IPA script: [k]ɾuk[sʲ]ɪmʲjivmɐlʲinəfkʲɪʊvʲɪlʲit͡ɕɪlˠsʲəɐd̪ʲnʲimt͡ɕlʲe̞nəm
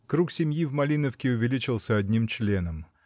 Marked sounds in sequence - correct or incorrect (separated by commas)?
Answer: correct, correct